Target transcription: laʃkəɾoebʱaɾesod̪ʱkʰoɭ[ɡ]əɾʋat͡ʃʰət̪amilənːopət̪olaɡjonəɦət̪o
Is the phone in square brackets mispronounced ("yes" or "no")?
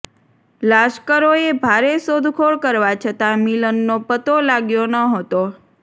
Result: yes